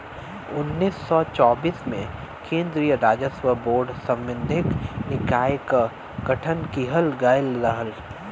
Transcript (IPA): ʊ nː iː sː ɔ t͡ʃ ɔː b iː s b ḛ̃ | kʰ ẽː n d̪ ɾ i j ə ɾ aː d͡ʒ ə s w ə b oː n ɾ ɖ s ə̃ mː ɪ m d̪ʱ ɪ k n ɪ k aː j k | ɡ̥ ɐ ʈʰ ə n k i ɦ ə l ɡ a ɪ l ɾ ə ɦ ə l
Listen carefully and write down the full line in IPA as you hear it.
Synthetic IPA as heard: ʊ nː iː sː ɔ t͡ʃ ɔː b iː s m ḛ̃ | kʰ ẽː n d̪ ɾ i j ə ɾ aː d͡ʒ ə s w ə b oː ɾ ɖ s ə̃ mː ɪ n d̪ʱ ɪ k n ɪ k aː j k | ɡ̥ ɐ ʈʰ ə n k i ɦ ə l ɡ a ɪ l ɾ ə ɦ ə l